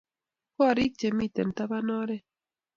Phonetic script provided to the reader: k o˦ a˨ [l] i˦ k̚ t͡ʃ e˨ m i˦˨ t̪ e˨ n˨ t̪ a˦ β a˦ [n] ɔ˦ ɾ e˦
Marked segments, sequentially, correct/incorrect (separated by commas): incorrect, correct